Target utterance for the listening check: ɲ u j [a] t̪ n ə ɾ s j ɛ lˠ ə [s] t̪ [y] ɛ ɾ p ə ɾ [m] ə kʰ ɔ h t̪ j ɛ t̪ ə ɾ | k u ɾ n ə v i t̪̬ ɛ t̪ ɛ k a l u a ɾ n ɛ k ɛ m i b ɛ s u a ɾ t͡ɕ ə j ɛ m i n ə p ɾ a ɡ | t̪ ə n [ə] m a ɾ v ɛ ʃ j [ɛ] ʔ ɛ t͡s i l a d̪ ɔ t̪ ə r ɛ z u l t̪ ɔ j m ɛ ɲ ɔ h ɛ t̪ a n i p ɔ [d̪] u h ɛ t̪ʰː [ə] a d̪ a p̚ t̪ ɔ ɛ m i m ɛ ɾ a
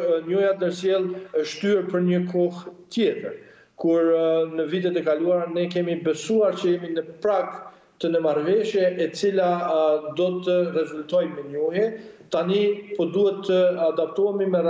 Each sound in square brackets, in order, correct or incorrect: correct, incorrect, correct, incorrect, correct, correct, correct, correct

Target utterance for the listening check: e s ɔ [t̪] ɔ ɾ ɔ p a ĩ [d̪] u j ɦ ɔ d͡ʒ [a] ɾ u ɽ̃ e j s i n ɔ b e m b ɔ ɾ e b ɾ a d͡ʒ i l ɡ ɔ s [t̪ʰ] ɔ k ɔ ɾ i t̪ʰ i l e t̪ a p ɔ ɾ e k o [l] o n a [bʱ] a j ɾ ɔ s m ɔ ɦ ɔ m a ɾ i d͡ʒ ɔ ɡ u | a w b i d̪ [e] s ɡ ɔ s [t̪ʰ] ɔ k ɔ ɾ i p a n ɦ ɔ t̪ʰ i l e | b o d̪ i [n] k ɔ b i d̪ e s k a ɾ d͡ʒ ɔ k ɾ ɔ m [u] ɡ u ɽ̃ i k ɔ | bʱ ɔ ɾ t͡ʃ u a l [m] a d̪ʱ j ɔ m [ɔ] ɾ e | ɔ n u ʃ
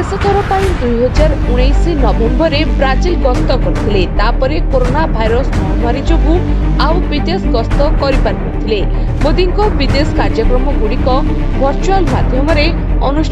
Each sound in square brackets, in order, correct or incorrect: correct, correct, correct, incorrect, incorrect, correct, correct, incorrect, incorrect, incorrect, correct, correct

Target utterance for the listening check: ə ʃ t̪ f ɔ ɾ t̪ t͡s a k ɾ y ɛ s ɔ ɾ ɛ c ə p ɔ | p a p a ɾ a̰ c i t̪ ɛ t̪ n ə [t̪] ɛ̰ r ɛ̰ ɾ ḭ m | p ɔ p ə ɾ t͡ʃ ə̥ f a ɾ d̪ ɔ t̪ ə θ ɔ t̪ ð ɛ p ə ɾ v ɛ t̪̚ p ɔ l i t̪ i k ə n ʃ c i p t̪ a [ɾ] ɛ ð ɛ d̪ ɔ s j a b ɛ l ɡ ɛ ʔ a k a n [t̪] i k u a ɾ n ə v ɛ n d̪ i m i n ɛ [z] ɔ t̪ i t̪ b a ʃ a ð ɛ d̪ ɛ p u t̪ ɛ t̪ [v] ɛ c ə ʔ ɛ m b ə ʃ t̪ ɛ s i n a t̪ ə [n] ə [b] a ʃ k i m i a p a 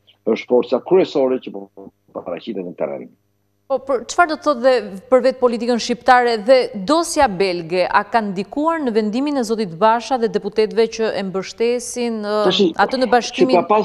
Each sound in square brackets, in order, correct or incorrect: correct, correct, incorrect, correct, correct, correct, correct

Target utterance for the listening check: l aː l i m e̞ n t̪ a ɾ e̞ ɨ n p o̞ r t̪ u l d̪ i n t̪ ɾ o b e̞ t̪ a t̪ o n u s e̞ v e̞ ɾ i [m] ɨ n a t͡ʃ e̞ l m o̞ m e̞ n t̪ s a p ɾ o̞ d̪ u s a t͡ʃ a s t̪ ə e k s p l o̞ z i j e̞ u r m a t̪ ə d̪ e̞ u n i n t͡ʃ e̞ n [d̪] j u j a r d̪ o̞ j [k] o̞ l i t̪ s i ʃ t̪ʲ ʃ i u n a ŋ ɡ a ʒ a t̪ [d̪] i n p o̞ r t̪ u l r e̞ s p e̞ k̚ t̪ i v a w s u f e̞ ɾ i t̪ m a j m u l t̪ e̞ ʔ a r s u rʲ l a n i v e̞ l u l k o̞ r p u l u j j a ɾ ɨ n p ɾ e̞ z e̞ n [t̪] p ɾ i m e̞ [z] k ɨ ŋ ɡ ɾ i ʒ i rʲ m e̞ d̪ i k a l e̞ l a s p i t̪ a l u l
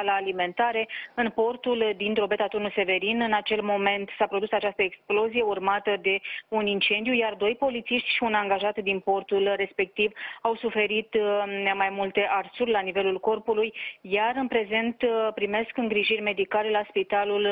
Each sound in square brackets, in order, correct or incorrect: incorrect, correct, incorrect, correct, correct, incorrect

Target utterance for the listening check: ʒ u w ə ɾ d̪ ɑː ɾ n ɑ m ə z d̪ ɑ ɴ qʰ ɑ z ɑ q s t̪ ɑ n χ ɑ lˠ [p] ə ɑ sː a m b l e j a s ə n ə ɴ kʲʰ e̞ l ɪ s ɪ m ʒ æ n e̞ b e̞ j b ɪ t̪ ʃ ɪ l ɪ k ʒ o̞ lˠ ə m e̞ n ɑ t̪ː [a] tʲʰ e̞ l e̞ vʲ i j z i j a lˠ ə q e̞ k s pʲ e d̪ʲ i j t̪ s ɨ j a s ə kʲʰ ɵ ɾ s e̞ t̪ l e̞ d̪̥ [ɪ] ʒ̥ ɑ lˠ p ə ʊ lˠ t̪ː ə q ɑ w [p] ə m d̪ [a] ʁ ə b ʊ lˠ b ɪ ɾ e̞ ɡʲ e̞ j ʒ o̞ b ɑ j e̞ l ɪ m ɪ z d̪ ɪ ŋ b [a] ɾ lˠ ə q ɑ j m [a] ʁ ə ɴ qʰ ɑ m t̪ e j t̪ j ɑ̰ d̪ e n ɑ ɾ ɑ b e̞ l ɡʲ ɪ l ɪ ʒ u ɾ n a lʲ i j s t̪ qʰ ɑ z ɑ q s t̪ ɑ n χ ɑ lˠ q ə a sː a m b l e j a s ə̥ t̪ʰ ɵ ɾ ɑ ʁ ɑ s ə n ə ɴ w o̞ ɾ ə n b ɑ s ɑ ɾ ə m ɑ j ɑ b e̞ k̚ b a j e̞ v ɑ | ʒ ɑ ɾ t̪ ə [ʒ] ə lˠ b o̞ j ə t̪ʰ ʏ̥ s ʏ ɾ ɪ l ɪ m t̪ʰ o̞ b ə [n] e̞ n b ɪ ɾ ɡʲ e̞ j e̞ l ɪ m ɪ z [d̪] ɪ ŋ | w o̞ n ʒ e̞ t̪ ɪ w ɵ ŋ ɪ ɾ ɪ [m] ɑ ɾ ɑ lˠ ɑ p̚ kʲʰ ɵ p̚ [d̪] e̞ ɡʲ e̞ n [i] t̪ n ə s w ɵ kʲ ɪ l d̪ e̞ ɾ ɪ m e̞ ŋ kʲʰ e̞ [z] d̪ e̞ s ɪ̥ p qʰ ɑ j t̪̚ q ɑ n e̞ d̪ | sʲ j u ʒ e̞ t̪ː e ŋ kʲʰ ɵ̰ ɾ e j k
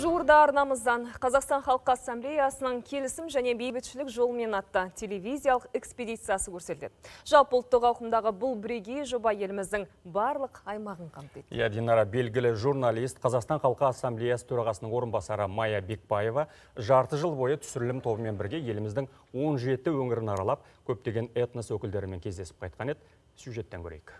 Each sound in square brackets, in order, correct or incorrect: incorrect, incorrect, correct, incorrect, incorrect, incorrect, incorrect, correct, incorrect, correct, incorrect, incorrect, incorrect, correct

